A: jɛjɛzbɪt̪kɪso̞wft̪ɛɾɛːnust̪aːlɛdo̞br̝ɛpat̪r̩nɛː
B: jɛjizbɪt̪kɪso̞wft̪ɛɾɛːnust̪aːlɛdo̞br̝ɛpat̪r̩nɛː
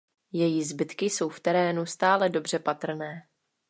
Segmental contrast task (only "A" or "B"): B